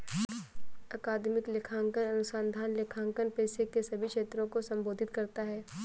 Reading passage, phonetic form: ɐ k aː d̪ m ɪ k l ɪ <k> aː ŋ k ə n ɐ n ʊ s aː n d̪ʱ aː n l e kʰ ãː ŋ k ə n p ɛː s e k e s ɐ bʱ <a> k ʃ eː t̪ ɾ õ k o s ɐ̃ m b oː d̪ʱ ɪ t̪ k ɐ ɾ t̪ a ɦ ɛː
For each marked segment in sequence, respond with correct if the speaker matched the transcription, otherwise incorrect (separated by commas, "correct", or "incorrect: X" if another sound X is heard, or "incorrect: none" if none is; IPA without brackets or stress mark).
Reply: incorrect: kʰ, incorrect: i